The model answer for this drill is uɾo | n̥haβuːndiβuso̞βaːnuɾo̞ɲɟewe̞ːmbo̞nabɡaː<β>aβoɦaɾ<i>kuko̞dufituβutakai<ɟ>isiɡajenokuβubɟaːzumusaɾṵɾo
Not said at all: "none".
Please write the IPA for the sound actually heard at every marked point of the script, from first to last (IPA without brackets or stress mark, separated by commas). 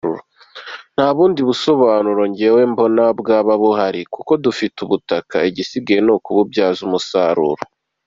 β, i, ɟ